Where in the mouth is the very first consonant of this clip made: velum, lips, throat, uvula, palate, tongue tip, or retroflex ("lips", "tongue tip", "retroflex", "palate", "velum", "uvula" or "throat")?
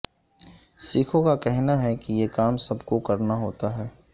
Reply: tongue tip